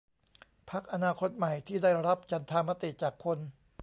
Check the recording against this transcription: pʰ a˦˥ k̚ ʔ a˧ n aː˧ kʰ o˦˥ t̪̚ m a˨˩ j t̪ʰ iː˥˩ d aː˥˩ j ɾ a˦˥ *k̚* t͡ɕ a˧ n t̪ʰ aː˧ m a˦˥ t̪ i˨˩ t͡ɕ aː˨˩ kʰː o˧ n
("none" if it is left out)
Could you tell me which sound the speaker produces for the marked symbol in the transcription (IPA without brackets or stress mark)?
p̚